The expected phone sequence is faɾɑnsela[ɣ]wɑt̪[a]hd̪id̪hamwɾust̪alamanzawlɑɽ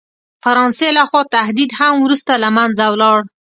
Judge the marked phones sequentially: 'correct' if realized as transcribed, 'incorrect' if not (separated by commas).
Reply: incorrect, correct